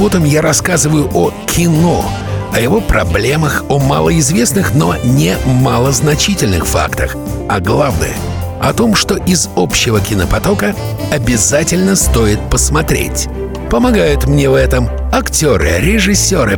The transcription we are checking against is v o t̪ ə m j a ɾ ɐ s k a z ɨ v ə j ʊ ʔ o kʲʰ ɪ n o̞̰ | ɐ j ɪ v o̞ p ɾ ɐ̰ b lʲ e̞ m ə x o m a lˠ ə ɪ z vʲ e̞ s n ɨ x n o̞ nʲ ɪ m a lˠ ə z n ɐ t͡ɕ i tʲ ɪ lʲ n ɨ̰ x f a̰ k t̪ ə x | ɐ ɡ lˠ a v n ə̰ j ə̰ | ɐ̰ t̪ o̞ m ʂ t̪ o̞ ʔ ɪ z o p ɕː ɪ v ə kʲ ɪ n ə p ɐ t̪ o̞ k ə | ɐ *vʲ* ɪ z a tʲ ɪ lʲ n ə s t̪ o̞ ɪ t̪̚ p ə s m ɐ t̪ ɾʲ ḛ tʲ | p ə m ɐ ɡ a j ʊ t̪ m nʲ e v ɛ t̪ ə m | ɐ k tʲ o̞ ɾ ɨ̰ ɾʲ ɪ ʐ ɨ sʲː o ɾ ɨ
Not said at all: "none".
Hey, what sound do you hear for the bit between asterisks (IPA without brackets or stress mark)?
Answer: bʲ